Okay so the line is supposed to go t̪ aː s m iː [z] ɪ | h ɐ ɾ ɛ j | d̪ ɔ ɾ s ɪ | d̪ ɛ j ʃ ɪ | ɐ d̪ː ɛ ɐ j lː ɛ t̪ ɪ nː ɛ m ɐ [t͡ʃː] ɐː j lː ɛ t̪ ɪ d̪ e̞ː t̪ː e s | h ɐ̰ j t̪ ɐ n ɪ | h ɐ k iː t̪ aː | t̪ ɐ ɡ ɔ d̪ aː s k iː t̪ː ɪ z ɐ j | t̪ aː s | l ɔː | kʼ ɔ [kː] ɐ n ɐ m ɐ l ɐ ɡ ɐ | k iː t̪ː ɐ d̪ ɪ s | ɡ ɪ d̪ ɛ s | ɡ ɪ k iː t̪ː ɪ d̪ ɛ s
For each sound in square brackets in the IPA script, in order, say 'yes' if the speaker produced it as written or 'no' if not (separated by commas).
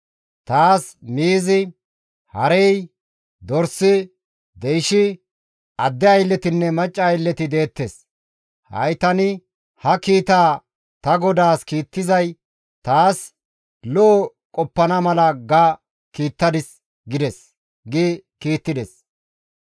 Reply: yes, no, no